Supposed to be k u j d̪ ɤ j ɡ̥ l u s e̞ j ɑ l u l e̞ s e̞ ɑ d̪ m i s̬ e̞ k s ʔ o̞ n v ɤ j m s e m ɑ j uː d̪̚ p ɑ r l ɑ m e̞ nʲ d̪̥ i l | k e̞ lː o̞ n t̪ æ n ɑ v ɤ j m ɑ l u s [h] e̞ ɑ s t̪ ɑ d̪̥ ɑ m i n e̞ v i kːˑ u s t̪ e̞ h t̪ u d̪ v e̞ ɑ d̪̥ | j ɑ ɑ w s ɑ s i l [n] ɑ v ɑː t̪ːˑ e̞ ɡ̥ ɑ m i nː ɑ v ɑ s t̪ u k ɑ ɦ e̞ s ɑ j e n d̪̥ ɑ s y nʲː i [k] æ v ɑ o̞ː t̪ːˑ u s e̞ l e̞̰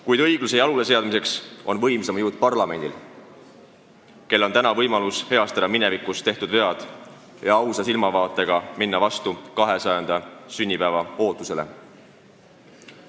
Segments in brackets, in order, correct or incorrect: correct, incorrect, incorrect

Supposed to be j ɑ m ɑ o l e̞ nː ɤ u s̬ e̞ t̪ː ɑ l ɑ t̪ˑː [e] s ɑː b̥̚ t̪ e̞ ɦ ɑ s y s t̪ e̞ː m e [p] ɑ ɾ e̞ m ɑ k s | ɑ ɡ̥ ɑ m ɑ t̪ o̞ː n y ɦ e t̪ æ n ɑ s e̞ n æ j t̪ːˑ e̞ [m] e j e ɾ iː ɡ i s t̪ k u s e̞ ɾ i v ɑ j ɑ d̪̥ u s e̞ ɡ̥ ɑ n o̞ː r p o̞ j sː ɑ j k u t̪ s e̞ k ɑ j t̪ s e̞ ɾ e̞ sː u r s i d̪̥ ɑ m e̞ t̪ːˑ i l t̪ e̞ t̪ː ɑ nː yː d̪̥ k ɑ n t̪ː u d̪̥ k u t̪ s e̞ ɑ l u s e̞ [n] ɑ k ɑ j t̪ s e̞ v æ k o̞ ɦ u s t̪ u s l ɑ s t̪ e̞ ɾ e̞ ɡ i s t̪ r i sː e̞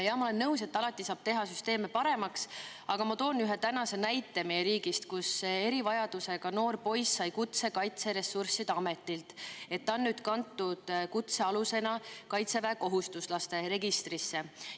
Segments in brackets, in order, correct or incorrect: incorrect, correct, correct, correct

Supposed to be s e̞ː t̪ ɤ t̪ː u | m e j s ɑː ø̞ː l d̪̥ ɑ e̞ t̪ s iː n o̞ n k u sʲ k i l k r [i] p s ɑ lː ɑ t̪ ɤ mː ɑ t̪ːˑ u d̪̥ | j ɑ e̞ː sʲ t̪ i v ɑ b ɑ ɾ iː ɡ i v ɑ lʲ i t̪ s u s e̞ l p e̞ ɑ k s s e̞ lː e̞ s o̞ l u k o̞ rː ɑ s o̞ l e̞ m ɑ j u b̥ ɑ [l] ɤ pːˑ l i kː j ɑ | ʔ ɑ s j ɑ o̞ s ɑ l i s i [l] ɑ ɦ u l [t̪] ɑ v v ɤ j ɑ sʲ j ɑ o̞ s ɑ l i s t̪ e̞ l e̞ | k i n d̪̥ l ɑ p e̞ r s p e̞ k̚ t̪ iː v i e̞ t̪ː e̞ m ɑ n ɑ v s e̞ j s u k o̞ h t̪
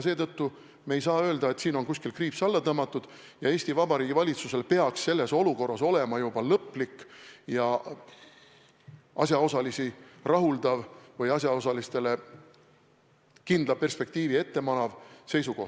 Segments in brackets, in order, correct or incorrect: incorrect, correct, incorrect, incorrect

